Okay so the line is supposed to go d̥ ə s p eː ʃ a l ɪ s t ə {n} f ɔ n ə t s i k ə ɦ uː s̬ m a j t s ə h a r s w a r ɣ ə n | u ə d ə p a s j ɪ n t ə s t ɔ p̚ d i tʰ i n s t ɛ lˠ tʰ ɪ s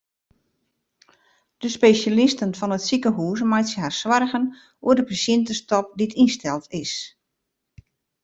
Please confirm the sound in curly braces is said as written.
yes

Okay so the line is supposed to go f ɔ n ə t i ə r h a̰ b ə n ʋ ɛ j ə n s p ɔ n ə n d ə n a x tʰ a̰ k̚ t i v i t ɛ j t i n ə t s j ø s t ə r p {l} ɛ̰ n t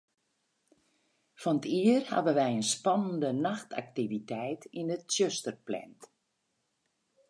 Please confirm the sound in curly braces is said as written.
yes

